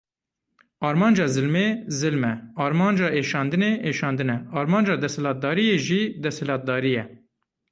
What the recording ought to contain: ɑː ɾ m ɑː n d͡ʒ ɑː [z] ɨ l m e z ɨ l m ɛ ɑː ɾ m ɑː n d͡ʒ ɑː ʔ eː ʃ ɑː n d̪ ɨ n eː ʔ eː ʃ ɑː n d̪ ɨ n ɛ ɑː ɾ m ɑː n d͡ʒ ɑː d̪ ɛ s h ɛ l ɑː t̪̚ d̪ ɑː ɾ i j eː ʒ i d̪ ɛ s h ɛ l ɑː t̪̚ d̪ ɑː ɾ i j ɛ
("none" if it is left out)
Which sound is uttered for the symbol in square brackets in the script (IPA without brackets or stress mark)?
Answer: z